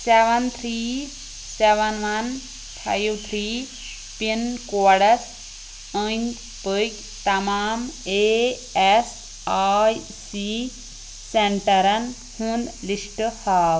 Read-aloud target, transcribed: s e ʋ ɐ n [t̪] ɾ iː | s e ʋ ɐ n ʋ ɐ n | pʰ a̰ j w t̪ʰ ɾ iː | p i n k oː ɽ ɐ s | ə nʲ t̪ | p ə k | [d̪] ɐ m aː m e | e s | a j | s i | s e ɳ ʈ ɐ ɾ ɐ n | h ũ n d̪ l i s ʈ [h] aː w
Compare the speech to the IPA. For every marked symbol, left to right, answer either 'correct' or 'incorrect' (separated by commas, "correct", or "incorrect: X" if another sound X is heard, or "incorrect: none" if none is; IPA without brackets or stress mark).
incorrect: t̪ʰ, incorrect: t̪, correct